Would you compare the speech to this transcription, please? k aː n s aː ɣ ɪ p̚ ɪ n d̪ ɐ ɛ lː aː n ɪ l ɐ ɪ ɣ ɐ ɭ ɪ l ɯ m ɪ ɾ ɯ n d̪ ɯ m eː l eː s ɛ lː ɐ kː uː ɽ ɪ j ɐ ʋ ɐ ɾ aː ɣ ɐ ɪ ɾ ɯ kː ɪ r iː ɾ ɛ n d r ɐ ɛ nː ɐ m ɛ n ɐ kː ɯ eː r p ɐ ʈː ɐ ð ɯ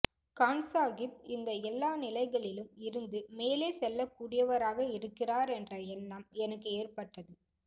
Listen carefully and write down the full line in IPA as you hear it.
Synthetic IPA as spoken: k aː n s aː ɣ ɪ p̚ ɪ n d̪ ɐ ɛ lː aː n ɪ l ɐ ɪ ɣ ɐ ɭ ɪ l ɯ m ɪ ɾ ɯ n d̪ ɯ m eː l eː s ɛ lː ɐ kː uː ɽ ɪ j ɐ ʋ ɐ ɾ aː ɣ ɐ ɪ ɾ ɯ kː ɪ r aː ɾ ɛ n d r ɐ ɛ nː ɐ m ɛ n ɐ kː ɯ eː r p ɐ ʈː ɐ ð ɯ

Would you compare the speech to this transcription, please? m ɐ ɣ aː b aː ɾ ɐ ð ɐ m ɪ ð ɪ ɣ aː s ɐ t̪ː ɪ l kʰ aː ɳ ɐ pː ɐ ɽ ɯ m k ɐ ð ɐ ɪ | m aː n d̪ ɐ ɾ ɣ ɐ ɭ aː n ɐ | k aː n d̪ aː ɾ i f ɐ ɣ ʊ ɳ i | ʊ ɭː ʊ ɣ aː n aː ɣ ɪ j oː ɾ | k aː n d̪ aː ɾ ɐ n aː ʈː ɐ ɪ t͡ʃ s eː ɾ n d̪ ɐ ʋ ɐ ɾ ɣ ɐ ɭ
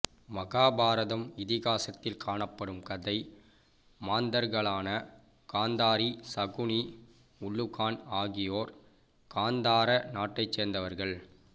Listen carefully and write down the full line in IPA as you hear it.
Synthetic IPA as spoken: m ɐ ɣ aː b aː ɾ ɐ ð ɐ m ɪ ð ɪ ɣ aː s ɐ t̪ː ɪ l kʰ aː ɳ ɐ pː ɐ ɽ ɯ m k ɐ ð ɐ ɪ | m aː n d̪ ɐ ɾ ɣ ɐ ɭ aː n ɐ | k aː n d̪ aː ɾ i s ɐ ɣ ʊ ɳ i | ʊ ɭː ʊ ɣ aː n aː ɣ ɪ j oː ɾ | k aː n d̪ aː ɾ ɐ n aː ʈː ɐ ɪ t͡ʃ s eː ɾ n d̪ ɐ ʋ ɐ ɾ ɣ ɐ ɭ

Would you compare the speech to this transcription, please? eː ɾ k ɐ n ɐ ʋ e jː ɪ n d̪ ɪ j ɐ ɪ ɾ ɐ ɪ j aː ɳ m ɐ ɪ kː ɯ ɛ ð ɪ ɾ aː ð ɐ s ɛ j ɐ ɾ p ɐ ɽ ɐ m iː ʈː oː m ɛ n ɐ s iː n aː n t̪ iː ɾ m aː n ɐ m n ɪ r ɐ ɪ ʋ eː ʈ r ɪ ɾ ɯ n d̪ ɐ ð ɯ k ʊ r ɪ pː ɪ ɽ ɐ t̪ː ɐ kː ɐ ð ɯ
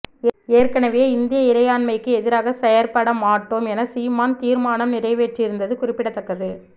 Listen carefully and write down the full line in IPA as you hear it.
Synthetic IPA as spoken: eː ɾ k ɐ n ɐ ʋ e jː ɪ n d̪ ɪ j ɐ ɪ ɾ ɐ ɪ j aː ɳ m ɐ ɪ kː ɯ ɛ ð ɪ ɾ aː ɣ ɐ s ɛ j ɐ ɾ p ɐ ɽ ɐ m aː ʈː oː m ɛ n ɐ s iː m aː n t̪ iː ɾ m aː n ɐ m n ɪ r ɐ ɪ ʋ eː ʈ r ɪ ɾ ɯ n d̪ ɐ ð ɯ k ʊ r ɪ pː ɪ ɽ ɐ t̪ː ɐ kː ɐ ð ɯ

